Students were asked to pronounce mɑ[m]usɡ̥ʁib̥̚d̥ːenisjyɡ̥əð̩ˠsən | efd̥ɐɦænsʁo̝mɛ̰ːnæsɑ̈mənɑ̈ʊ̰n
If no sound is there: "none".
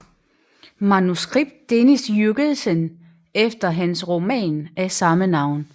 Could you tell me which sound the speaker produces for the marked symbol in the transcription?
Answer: n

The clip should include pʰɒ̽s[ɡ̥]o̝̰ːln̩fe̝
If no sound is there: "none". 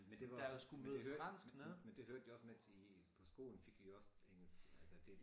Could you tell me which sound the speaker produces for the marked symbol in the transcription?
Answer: ɡ̥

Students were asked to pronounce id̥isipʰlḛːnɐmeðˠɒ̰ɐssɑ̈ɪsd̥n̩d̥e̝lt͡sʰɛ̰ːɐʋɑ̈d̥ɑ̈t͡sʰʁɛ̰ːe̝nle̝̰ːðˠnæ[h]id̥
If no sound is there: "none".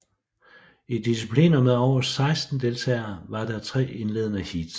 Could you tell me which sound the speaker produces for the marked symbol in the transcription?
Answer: h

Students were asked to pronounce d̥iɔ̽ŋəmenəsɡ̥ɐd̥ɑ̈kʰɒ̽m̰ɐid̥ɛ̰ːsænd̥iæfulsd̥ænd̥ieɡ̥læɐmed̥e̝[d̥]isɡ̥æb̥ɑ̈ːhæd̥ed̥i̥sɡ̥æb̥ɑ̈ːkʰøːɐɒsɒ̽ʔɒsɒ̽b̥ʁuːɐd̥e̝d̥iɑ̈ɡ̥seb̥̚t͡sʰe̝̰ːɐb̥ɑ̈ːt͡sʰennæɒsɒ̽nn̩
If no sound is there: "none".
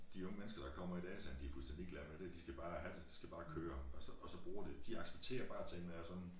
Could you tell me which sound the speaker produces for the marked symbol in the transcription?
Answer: d̥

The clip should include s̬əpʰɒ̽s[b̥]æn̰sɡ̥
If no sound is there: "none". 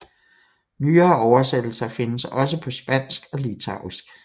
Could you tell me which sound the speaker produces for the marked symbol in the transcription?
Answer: b̥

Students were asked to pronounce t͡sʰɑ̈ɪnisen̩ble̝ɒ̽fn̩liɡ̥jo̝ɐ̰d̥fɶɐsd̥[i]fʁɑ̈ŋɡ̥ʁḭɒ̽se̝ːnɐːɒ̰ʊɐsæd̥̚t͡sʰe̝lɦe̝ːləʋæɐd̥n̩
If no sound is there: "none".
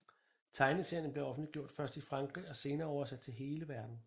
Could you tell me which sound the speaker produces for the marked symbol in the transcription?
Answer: i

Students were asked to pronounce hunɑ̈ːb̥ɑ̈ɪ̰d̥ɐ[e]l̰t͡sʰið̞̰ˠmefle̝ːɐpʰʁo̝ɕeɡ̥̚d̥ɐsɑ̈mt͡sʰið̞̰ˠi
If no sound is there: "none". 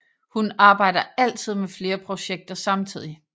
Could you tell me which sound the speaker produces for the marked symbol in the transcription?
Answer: æ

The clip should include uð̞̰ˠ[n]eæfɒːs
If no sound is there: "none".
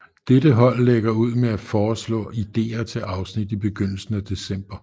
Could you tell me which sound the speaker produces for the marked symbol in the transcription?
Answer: m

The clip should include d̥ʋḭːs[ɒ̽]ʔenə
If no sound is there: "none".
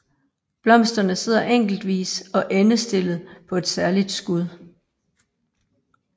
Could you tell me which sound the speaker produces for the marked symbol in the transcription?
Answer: ɒ̽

